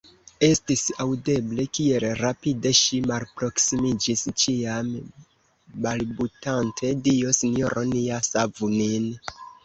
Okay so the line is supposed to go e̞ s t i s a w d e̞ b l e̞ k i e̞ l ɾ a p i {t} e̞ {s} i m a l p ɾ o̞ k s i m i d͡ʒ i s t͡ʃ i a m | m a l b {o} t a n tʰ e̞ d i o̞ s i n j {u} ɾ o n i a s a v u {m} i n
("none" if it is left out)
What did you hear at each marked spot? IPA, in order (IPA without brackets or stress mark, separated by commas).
d, ʃ, u, o, n